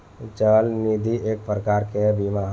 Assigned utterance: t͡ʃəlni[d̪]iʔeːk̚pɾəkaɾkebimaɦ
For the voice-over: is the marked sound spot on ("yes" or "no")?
yes